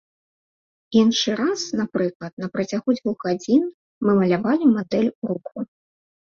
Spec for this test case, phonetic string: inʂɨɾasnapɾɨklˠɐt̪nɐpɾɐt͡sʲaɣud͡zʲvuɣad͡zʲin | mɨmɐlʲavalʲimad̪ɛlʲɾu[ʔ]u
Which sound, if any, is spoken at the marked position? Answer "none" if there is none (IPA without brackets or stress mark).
k